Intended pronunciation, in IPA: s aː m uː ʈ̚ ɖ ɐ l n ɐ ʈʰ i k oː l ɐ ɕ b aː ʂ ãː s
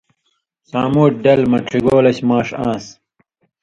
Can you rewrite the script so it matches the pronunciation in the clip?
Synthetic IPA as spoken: s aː m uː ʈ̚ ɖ ɐ l m ɐ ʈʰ i ɡ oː l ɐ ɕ m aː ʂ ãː s